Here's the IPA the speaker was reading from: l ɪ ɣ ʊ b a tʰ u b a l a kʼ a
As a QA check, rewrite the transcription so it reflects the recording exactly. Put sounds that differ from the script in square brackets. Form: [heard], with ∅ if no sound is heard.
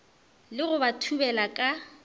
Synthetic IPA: l ɪ ɣ ʊ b a tʰ u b [ɛ] l a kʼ a